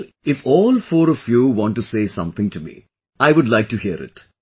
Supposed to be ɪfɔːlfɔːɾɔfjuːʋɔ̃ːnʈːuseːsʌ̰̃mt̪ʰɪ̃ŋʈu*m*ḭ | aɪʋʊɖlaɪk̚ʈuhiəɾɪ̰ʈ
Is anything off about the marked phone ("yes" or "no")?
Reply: no